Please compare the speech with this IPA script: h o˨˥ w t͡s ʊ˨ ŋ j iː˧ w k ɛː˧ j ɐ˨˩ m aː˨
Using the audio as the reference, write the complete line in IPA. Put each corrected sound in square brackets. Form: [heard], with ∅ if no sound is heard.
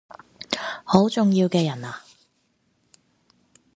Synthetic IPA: h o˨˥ w t͡s ʊ˨ ŋ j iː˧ w k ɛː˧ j ɐ˨˩ [n] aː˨